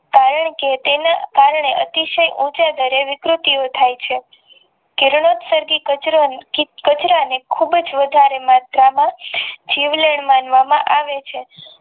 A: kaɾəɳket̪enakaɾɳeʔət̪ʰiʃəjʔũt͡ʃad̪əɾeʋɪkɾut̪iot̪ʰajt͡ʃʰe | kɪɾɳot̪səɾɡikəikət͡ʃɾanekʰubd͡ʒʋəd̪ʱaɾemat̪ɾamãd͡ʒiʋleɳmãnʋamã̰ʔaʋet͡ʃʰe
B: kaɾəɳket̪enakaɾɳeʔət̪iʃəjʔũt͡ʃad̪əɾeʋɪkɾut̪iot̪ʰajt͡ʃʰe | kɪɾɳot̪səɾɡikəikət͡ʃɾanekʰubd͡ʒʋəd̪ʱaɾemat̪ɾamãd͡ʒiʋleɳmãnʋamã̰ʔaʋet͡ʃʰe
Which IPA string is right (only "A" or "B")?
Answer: B